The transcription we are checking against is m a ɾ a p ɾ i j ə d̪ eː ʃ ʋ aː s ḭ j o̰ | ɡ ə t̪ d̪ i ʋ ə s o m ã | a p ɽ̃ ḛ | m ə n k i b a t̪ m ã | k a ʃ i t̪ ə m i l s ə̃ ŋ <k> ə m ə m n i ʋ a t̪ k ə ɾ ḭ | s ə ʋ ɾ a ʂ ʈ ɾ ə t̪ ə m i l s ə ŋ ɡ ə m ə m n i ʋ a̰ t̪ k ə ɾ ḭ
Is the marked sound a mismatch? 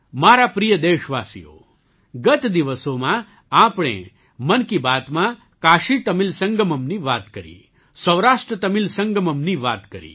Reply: yes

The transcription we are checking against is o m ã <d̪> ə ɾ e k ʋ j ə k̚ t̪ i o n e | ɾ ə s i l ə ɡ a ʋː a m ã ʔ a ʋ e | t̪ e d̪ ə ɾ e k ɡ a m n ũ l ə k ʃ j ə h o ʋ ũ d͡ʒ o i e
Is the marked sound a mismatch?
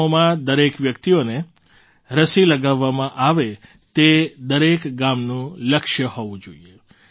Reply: no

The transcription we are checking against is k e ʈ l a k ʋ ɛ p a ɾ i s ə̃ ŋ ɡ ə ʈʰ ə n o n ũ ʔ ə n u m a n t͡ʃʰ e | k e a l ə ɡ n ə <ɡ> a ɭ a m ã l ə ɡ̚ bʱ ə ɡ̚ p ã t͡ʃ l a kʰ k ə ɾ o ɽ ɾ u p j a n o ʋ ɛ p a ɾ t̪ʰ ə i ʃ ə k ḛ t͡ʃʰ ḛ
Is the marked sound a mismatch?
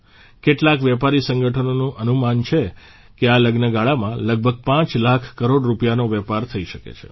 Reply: no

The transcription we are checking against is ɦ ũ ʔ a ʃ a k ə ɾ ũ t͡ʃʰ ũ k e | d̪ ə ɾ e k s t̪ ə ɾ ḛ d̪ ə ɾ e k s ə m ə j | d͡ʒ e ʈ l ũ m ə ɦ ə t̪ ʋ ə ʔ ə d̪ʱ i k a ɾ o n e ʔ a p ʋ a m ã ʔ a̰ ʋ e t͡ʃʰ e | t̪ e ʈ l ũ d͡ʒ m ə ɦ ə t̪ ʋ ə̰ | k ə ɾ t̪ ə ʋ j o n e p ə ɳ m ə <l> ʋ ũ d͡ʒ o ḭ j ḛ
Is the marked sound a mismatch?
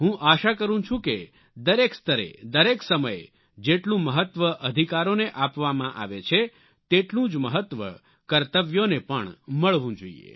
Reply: yes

